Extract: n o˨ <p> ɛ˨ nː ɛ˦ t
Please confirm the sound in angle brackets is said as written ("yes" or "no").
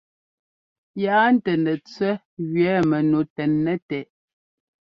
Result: no